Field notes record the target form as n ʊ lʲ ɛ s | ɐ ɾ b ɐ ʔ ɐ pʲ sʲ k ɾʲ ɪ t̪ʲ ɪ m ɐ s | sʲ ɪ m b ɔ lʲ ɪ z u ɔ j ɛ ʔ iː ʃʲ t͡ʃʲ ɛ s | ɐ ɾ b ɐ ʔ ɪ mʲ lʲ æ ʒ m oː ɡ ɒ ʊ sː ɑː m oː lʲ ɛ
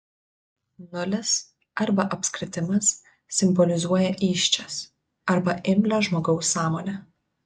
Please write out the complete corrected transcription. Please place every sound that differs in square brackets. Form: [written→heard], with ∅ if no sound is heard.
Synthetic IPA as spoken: n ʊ lʲ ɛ s | ɐ ɾ b ɐ ʔ ɐ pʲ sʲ k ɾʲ ɪ t̪ʲ ɪ m ɐ s | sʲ ɪ m b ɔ lʲ ɪ z u ɔ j ɛ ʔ iː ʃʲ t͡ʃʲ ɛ s | ɐ ɾ b ɐ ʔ ɪ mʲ lʲ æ ʒ m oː ɡ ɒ ʊ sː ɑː m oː lʲ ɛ